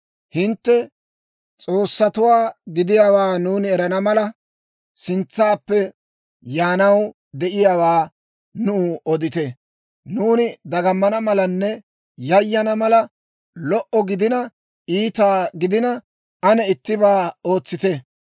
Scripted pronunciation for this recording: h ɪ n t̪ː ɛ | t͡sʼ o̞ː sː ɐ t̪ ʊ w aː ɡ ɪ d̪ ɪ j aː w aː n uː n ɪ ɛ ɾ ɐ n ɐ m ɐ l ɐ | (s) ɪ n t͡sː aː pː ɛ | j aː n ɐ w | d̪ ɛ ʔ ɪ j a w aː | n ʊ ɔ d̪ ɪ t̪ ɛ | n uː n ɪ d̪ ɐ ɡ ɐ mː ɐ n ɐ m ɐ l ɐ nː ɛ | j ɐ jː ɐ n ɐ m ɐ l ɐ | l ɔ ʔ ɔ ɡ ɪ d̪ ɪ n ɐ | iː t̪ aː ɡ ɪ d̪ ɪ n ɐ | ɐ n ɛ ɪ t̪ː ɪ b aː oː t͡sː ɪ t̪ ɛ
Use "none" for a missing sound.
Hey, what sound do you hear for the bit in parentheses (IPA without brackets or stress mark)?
s